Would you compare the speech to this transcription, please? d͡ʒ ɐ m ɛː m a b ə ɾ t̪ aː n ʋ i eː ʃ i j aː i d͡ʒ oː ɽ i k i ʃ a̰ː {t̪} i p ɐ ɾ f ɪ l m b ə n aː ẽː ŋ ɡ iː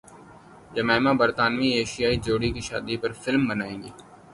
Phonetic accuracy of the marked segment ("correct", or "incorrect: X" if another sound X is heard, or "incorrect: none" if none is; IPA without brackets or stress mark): incorrect: d̪